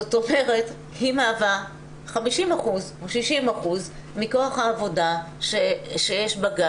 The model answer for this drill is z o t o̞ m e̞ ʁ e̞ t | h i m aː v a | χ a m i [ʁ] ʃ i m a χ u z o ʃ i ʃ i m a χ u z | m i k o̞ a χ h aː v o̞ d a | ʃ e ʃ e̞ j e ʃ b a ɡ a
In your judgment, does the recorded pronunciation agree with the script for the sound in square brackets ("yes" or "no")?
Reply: no